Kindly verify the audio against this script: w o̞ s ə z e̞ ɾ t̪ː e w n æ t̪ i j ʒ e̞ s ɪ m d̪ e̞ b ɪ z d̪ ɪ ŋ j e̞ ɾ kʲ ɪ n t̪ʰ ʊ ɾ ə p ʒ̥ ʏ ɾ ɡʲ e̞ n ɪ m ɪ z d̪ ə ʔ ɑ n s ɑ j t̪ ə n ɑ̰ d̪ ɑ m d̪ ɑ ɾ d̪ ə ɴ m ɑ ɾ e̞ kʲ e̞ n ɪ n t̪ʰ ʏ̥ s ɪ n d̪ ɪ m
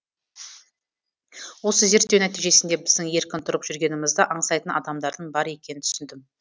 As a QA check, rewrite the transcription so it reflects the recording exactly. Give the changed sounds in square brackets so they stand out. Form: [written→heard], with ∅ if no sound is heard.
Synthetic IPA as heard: w o̞ s ə z e̞ ɾ t̪ː e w n æ t̪ i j ʒ e̞ s ɪ [m→n] d̪ e̞ b ɪ z d̪ ɪ ŋ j e̞ ɾ kʲ ɪ n t̪ʰ ʊ ɾ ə p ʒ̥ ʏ ɾ ɡʲ e̞ n ɪ m ɪ z d̪ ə ʔ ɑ [n→ɴ] s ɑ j t̪ ə n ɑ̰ d̪ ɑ m d̪ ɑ ɾ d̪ ə ɴ [m→b] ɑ ɾ e̞ kʲ e̞ n ɪ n t̪ʰ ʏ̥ s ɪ n d̪ ɪ m